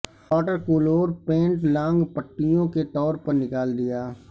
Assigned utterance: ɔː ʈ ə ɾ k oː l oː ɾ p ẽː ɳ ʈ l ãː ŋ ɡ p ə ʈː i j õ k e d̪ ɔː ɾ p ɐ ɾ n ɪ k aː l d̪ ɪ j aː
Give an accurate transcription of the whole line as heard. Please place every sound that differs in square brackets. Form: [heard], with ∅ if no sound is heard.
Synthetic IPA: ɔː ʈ ə ɾ k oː l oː ɾ p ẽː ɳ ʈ l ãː ŋ ɡ p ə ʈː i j õ k e [t̪] ɔː ɾ p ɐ ɾ n ɪ k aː l d̪ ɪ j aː